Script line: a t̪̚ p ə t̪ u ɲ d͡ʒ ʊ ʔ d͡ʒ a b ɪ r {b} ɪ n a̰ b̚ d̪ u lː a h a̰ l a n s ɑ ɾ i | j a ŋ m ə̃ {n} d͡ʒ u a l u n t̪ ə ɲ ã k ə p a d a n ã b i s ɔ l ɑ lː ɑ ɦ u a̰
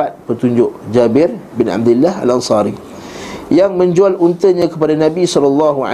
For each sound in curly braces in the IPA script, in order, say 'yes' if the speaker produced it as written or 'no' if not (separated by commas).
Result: yes, no